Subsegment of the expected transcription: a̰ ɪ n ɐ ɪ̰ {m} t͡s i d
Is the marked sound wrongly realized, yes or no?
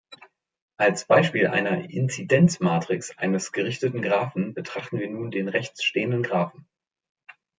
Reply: yes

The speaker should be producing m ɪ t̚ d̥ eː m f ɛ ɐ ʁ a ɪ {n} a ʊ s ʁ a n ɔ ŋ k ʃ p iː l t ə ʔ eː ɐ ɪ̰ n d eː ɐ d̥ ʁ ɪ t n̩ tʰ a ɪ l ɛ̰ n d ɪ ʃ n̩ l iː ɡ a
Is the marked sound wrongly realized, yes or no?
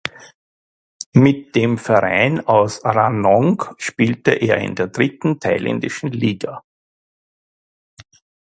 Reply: no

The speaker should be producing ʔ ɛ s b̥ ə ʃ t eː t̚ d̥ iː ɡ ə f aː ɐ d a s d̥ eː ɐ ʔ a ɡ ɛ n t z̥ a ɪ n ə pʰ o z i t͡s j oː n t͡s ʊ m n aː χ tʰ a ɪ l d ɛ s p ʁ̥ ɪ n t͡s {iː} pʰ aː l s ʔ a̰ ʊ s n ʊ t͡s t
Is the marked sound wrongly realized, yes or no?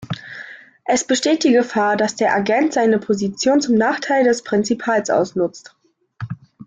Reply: yes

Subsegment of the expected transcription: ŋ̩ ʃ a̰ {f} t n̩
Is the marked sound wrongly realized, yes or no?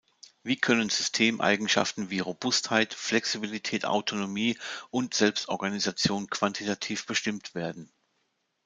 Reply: no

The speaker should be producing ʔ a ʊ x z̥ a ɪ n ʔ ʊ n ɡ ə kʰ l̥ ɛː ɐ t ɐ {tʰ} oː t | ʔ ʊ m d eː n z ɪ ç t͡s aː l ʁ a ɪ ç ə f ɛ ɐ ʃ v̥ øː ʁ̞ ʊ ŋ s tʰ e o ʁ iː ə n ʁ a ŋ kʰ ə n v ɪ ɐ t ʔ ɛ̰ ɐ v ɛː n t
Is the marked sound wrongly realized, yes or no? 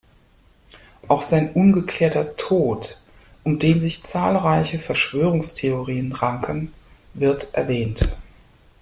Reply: no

